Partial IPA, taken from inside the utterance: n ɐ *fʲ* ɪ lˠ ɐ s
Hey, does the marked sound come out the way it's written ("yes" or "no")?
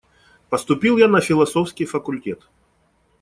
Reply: yes